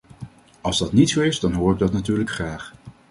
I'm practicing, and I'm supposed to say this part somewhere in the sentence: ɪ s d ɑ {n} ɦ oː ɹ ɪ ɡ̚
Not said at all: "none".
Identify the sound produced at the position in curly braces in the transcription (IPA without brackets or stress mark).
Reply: n